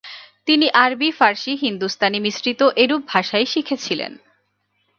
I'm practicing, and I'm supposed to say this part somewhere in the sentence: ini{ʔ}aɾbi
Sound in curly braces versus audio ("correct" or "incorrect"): correct